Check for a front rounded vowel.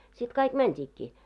absent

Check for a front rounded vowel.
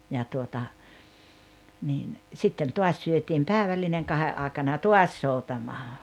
present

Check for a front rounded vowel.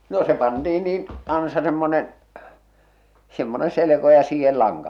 absent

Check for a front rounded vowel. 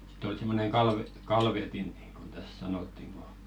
absent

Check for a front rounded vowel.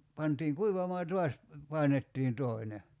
absent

